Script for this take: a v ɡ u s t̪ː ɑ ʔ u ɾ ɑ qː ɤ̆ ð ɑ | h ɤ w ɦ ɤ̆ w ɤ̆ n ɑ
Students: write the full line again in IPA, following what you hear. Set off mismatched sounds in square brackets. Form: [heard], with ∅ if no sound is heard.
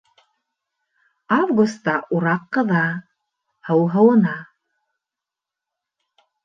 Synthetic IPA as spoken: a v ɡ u s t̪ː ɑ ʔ u ɾ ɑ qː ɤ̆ ð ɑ | h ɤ w ɦ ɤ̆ w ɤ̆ n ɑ